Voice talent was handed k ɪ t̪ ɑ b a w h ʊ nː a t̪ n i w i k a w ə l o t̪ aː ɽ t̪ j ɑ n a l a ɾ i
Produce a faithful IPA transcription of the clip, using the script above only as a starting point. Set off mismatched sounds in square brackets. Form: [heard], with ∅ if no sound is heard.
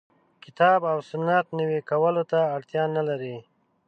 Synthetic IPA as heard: k ɪ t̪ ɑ b a w [s] ʊ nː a t̪ n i w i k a w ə l o t̪ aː ɽ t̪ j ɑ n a l a ɾ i

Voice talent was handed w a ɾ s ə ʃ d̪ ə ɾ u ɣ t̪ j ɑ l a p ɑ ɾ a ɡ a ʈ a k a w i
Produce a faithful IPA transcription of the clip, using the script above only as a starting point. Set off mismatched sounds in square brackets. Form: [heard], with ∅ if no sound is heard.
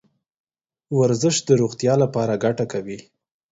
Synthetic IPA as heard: w a ɾ [z] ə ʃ d̪ ə ɾ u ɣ t̪ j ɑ l a p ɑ ɾ a ɡ a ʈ a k a w i

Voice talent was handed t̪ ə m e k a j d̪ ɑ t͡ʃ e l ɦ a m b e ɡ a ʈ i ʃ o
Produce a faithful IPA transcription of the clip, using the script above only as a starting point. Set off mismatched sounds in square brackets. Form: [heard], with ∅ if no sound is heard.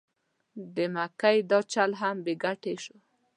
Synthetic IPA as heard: [d̪] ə m [a] k a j d̪ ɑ t͡ʃ [a] l ɦ a m b e ɡ a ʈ [e] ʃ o

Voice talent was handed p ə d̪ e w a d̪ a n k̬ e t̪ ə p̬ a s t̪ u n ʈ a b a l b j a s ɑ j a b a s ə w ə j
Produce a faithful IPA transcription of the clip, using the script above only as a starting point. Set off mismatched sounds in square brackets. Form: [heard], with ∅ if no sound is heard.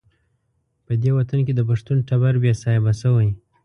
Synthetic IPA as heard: p ə d̪ e w a [t̪] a n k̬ e [d̪] ə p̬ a [ʂ] t̪ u n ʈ a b a [ɾ] b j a s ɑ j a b a s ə w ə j

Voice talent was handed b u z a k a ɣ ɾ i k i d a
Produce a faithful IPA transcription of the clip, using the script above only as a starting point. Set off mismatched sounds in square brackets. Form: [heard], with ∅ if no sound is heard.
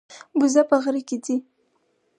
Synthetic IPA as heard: b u z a [p] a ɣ ɾ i k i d [i]

